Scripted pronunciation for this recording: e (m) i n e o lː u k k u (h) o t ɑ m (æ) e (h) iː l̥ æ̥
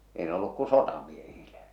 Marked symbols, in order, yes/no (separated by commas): no, no, no, yes